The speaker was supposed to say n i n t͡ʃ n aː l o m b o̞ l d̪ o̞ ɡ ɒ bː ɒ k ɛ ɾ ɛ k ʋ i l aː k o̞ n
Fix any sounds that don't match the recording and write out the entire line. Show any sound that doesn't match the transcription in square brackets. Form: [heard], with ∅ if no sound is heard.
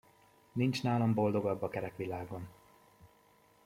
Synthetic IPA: n i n t͡ʃ n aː l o m b o̞ l d̪ o̞ ɡ ɒ bː ɒ k ɛ ɾ ɛ k ʋ i l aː [ɡ] o̞ n